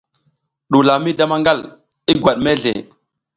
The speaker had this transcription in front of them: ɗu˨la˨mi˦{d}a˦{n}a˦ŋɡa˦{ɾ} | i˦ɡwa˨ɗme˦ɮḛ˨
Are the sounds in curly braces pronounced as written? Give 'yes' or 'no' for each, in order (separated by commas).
yes, no, no